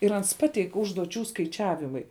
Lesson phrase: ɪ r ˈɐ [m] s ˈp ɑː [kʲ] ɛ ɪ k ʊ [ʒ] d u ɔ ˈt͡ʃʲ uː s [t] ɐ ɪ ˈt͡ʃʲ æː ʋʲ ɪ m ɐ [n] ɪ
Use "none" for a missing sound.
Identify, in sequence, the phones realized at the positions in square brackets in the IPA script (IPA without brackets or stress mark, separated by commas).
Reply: n, tʲ, ʒ, k, none